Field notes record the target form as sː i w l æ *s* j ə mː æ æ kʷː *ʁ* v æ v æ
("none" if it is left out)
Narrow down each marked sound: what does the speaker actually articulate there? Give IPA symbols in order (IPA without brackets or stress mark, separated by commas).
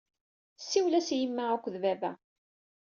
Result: s, ð